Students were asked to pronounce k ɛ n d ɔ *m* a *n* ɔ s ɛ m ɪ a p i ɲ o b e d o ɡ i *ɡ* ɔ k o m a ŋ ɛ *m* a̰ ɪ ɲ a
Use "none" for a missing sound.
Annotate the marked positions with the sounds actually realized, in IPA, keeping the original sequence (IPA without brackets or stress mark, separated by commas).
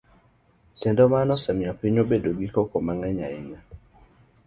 m, n, k, ɲ